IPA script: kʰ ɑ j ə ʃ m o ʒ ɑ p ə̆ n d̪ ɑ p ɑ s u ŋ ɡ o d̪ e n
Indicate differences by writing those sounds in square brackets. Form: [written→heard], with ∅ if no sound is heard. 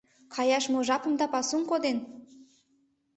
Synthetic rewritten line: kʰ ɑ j [ə→ɑ] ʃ m o ʒ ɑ p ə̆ [n→m] d̪ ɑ p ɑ s u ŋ [ɡ→k] o d̪ e n